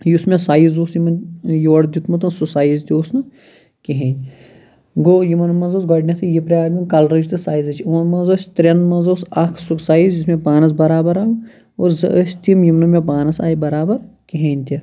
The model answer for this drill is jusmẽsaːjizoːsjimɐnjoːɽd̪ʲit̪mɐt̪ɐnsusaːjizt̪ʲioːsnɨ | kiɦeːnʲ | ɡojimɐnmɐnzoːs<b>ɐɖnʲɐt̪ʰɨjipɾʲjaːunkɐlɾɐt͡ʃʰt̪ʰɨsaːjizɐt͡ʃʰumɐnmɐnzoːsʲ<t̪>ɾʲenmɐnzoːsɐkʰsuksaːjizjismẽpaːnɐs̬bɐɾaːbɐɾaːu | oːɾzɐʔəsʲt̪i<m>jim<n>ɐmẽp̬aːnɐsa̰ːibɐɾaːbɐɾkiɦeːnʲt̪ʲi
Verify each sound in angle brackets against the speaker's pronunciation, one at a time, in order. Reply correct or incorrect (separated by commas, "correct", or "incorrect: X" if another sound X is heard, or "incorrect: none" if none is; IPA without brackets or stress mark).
incorrect: ɡ, correct, correct, correct